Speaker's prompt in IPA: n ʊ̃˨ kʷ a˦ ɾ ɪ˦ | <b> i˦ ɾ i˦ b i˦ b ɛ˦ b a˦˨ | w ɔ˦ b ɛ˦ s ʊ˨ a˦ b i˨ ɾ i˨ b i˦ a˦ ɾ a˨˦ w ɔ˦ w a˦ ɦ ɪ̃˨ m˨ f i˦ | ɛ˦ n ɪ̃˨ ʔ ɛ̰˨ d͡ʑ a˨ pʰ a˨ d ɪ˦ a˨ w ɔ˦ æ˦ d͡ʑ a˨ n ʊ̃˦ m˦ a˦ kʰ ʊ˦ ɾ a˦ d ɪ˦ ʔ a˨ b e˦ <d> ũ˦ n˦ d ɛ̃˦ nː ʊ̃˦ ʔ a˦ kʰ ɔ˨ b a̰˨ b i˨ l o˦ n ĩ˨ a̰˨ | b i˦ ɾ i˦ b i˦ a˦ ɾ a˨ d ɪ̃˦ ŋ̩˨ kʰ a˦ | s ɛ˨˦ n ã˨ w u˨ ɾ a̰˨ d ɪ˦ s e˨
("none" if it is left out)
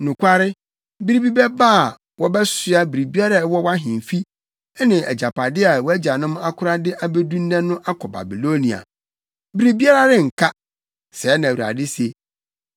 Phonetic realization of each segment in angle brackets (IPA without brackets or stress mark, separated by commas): b, d